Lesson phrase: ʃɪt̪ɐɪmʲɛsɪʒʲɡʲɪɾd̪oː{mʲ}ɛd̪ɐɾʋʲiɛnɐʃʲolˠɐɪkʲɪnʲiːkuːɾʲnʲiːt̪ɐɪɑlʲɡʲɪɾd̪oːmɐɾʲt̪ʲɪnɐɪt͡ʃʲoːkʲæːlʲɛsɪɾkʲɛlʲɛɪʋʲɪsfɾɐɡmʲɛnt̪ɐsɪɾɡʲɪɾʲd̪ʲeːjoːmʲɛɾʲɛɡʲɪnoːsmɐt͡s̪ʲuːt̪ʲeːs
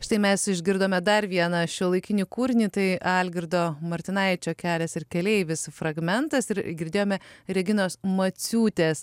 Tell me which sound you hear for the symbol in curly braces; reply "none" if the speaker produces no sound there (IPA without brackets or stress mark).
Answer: mʲ